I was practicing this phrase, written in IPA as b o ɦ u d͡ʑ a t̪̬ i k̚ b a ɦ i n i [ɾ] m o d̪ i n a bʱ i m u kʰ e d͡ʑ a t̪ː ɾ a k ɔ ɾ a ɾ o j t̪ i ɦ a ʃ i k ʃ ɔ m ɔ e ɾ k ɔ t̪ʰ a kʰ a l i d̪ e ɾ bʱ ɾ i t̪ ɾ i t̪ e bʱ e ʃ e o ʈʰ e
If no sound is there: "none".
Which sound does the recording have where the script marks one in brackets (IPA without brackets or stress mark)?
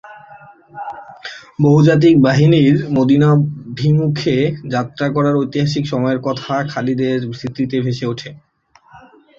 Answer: ɾ